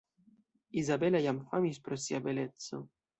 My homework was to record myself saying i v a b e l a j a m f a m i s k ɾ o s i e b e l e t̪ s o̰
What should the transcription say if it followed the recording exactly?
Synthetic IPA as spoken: i z a b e l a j a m f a m i s p ɾ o s i a b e l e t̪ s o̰